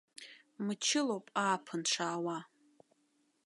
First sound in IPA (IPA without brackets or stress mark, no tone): m